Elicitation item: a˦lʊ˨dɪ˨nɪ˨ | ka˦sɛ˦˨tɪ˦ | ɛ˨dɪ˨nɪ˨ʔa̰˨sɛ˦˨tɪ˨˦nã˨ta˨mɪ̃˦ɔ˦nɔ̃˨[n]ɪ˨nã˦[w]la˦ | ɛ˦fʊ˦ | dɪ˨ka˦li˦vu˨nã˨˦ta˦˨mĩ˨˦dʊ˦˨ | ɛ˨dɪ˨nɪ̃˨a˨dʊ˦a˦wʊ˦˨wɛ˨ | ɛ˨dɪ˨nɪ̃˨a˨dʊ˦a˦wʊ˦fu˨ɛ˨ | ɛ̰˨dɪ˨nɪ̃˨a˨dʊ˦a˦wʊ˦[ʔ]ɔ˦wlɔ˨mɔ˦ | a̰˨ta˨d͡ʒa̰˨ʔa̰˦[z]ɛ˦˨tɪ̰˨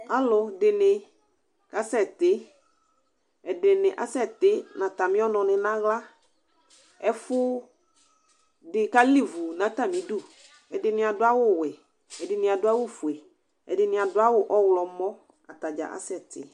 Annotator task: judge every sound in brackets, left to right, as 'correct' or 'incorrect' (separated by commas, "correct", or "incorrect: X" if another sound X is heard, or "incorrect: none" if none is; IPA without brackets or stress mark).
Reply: correct, incorrect: ɣ, correct, incorrect: s